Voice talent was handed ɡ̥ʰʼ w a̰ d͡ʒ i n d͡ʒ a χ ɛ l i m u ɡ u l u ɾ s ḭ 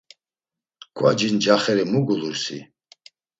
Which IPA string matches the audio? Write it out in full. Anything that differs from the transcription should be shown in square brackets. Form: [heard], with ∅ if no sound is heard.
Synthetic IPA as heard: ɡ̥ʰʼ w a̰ d͡ʒ i n d͡ʒ a χ ɛ [ɾ] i m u ɡ u l u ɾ s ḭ